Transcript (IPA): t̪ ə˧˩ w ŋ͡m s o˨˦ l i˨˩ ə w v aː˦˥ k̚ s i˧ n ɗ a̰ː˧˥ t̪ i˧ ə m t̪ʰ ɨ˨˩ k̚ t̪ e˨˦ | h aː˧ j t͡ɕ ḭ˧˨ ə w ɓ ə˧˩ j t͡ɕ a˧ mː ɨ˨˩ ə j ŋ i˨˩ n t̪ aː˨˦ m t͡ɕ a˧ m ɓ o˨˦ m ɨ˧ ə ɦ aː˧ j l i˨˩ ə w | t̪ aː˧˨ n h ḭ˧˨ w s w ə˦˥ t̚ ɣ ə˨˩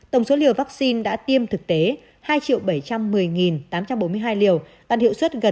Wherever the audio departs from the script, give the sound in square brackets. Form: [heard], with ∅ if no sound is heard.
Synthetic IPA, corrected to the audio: t̪ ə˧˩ w ŋ͡m s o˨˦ l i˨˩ ə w v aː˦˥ k̚ s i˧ n ɗ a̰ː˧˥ t̪ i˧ ə m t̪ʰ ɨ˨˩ k̚ t̪ e˨˦ | h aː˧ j t͡ɕ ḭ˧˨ ə w ɓ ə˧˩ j t͡ɕ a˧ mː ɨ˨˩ ə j ŋ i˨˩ n t̪ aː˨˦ m t͡ɕ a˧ m ɓ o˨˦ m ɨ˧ ə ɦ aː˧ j l i˨˩ ə w | t̪ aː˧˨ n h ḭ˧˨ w s w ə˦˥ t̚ ɣ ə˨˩

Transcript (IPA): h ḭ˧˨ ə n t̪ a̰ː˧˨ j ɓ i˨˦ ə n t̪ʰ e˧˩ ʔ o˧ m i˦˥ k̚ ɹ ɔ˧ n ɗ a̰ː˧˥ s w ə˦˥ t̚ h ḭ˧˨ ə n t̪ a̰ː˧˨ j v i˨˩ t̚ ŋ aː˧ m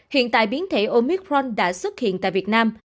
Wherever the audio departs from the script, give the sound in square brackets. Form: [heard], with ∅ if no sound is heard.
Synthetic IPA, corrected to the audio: h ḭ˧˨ ə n t̪ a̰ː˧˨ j ɓ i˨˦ ə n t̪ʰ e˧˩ ʔ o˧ m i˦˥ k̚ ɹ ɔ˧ n ɗ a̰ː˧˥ s w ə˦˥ t̚ h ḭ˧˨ ə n t̪ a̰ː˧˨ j v i˨˩ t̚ [n] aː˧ m

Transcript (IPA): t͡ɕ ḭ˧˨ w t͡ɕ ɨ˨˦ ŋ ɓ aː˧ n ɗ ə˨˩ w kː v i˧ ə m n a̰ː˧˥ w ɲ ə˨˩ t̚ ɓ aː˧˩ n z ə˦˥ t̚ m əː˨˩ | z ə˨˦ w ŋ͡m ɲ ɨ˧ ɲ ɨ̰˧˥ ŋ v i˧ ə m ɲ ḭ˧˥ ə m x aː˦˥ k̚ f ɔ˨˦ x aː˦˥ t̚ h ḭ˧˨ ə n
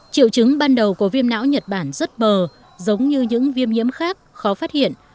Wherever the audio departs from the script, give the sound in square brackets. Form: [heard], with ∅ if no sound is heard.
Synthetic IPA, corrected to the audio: t͡ɕ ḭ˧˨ w t͡ɕ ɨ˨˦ ŋ ɓ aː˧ n ɗ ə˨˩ w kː v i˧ ə m n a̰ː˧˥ w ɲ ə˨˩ t̚ ɓ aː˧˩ n z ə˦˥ t̚ m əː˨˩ | z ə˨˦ w ŋ͡m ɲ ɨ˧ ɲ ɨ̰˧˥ ŋ v i˧ ə m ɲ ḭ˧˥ ə m x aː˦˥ k̚ [x] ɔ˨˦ [f] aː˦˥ t̚ h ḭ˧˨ ə n

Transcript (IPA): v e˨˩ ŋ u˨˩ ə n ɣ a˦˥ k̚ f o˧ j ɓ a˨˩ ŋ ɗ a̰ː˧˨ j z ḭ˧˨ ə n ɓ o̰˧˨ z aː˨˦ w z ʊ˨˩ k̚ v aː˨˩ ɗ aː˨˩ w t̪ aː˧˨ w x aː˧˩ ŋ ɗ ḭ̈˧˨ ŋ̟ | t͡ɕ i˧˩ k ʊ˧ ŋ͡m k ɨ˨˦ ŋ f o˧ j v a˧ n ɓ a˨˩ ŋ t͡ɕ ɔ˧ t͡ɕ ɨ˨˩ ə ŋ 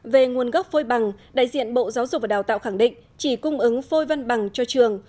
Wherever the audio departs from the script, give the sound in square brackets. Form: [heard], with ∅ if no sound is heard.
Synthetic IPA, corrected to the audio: v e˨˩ ŋ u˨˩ ə n ɣ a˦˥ [p̚] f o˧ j ɓ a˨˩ ŋ ɗ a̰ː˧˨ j z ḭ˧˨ ə n ɓ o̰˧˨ z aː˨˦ w z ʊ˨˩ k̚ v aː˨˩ ɗ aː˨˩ w t̪ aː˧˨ w x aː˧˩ ŋ ɗ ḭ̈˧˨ ŋ̟ | t͡ɕ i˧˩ k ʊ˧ ŋ͡m [ʔ] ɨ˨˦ ŋ f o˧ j v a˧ n ɓ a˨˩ ŋ t͡ɕ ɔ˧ t͡ɕ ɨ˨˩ ə ŋ

